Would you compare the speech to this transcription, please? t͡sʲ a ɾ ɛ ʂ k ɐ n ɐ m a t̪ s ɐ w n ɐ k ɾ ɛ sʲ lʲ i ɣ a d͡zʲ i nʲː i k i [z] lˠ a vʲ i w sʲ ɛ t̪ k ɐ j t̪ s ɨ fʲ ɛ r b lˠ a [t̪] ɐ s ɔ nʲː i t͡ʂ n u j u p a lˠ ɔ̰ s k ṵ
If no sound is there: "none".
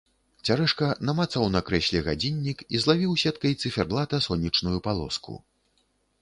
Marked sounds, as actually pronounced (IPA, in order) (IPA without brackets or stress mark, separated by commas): z, t̪